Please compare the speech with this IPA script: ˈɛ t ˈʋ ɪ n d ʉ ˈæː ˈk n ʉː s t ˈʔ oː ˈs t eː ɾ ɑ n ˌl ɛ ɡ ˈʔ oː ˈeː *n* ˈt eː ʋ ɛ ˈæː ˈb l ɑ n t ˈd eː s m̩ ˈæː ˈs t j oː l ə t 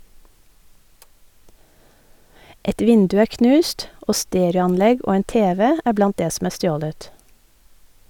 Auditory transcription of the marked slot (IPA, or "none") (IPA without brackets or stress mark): n